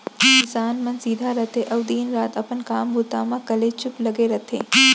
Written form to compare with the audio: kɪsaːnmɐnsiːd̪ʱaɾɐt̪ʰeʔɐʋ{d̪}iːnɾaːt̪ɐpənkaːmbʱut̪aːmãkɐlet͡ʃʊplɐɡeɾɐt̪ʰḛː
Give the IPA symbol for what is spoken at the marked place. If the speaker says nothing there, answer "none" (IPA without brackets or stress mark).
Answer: d̪